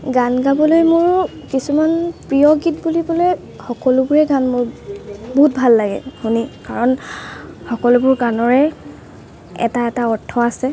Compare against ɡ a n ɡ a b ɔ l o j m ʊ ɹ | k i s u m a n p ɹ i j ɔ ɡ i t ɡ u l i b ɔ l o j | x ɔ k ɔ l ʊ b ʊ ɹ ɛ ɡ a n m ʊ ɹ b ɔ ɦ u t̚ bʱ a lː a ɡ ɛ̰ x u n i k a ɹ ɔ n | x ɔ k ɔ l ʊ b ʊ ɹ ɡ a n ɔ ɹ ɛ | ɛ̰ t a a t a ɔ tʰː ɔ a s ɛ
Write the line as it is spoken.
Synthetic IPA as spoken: ɡ a n ɡ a b ɔ l o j m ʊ ɹ | k i s u m a n p ɹ i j ɔ ɡ i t b u l i b ɔ l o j | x ɔ k ɔ l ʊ b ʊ ɹ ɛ ɡ a n m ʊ ɹ b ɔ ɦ u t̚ bʱ a lː a ɡ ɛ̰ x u n i k a ɹ ɔ n | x ɔ k ɔ l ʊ b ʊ ɹ ɡ a n ɔ ɹ ɛ | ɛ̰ t a ɛ t a ɔ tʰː ɔ a s ɛ